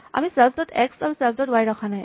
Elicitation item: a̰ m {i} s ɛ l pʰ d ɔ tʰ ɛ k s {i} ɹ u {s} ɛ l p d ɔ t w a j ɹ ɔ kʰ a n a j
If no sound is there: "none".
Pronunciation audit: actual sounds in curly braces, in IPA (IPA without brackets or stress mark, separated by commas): i, a, s